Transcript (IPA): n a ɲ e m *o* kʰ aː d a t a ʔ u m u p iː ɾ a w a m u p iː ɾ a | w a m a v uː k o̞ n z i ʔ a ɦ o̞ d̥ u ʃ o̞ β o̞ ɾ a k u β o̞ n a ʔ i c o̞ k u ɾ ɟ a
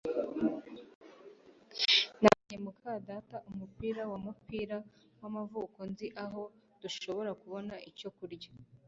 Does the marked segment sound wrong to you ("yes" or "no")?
yes